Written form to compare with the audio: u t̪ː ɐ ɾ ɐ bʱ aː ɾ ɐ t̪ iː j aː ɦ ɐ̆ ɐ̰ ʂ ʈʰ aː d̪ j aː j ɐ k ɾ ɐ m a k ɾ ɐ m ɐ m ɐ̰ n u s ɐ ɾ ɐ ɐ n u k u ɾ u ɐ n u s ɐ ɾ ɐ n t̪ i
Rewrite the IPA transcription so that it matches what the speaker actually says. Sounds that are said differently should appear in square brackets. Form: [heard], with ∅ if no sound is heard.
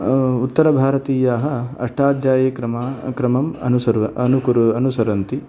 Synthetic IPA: u t̪ː ɐ ɾ ɐ bʱ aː ɾ ɐ t̪ iː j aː ɦ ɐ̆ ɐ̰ ʂ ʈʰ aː d̪ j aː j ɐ k ɾ ɐ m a k ɾ ɐ m ɐ m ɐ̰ n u s ɐ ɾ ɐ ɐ n u k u ɾ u ɐ n u s ɐ ɾ ɐ n t̪ i